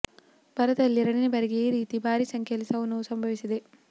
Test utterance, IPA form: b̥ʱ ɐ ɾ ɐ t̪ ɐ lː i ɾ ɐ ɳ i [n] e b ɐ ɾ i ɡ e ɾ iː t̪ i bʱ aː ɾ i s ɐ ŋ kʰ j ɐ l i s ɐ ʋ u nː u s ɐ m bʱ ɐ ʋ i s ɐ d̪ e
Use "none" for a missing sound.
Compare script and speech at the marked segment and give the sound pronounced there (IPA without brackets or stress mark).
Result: n